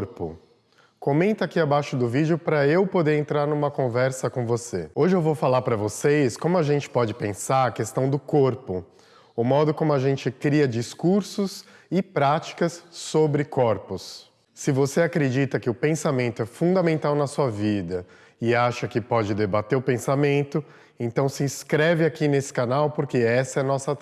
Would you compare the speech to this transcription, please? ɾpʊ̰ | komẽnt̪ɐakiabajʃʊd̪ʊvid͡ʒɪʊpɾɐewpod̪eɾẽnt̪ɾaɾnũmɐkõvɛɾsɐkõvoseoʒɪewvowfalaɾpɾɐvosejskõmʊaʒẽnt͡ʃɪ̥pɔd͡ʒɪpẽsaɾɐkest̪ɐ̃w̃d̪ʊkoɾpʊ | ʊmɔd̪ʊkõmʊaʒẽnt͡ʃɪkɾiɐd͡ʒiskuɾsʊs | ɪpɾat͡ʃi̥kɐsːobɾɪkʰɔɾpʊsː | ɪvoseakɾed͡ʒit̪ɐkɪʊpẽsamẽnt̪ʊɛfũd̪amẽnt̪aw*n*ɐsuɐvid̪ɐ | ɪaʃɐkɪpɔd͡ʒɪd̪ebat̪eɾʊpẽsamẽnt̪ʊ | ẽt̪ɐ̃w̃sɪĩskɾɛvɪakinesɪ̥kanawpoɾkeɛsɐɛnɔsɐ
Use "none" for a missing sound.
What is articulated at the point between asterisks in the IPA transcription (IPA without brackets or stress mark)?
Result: n